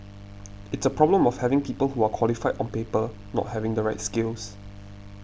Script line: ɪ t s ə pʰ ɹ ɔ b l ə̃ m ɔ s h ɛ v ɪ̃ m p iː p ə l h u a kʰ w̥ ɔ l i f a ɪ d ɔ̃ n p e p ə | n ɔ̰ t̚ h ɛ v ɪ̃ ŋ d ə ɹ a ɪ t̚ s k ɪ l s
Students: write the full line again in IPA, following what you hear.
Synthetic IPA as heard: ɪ t s ə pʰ ɹ ɔ b l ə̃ m ɔ f h ɛ v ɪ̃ ŋ p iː p ə l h u a kʰ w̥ ɔ l i f a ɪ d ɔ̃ n p e p ə | n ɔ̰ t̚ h ɛ v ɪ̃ ŋ d ə ɹ a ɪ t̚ s k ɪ l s